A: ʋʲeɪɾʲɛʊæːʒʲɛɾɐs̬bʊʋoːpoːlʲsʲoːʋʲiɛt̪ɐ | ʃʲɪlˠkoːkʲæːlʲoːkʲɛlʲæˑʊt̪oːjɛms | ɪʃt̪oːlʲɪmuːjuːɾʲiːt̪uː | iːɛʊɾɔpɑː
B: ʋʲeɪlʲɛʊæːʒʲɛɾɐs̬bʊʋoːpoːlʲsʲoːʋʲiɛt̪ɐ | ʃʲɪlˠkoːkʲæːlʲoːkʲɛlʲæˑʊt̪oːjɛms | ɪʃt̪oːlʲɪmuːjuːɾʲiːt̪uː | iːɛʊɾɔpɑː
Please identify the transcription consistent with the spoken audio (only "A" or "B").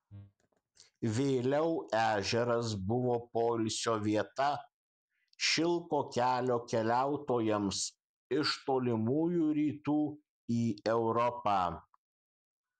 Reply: B